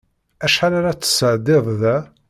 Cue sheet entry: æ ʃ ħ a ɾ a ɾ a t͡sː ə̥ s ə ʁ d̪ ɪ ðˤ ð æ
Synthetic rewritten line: æ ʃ ħ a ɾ a ɾ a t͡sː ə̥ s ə ʕ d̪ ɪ ðˤ ð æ